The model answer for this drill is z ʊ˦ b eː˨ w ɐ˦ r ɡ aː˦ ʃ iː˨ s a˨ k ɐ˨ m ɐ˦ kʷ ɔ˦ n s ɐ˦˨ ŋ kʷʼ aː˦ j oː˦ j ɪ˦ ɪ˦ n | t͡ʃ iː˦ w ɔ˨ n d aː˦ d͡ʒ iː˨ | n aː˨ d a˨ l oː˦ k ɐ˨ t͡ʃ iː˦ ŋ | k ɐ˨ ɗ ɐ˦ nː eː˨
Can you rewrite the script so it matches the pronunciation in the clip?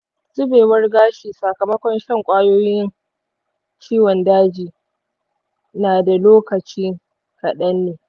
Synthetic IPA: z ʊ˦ b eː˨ w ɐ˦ r ɡ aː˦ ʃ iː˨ s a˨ k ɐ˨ m ɐ˦ kʷ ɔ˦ n ʃ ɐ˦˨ ŋ kʷʼ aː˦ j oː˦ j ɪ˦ ɪ˦ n | t͡ʃ iː˦ w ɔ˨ n d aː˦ d͡ʒ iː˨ | n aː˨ d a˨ l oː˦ k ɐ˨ t͡ʃ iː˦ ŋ | k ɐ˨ ɗ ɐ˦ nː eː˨